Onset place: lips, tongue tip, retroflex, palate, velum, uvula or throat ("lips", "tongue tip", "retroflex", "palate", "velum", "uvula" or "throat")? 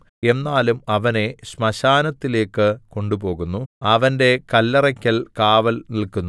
tongue tip